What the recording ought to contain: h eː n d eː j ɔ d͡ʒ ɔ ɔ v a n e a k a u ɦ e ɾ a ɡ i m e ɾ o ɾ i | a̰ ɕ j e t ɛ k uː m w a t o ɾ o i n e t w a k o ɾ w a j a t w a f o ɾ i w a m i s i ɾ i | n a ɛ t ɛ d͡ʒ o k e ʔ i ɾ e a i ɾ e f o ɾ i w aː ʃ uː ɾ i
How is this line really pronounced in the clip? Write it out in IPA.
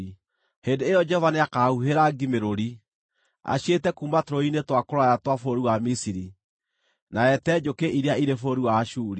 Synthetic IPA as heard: h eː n d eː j ɔ d͡ʒ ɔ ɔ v a n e a k a u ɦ e ɾ a ɡ i m e ɾ o ɾ i | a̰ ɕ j e t ɛ k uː m b a t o ɾ o i n e t w a k o ɾ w a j a t w a f o ɾ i w a m i s i ɾ i | n a ɛ t ɛ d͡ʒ o k e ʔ i ɾ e a i ɾ e f o ɾ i w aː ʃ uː ɾ i